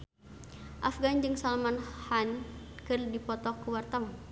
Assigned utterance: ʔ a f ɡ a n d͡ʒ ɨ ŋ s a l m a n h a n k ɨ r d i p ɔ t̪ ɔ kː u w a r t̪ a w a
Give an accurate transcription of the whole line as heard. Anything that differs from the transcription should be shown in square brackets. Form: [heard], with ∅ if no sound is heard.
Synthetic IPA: ʔ a f ɡ a n d͡ʒ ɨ ŋ s a l m a n h a n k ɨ r d i p ɔ t̪ ɔ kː u w a r t̪ a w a